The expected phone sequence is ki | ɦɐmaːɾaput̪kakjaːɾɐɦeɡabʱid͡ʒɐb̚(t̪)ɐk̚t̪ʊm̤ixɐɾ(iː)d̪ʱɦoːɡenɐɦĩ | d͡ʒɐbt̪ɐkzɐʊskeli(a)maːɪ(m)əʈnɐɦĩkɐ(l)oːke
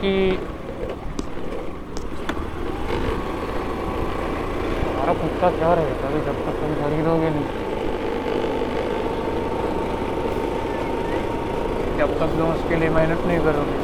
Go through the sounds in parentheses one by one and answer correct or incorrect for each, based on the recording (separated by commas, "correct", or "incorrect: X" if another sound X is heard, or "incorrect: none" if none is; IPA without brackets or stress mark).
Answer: correct, correct, incorrect: e, incorrect: n, incorrect: ɾ